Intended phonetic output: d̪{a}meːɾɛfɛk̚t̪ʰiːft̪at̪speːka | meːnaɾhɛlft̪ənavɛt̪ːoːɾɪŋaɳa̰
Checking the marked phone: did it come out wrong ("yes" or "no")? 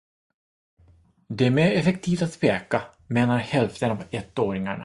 yes